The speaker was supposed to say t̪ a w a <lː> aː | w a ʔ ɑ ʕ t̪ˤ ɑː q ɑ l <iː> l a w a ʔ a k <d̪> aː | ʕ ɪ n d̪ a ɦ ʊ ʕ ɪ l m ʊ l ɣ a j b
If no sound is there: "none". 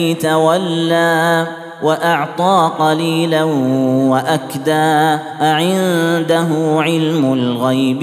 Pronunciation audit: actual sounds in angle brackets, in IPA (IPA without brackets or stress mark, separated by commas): lː, iː, d̪